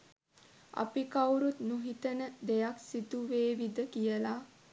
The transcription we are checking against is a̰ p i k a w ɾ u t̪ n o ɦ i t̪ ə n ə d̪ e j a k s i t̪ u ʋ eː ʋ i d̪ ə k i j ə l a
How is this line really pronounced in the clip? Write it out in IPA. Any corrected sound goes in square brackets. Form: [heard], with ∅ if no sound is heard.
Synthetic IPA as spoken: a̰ p i k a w ɾ u t̪ n [u] ɦ i t̪ ə n ə d̪ e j a k s i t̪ u ʋ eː ʋ i d̪ ə k i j ə l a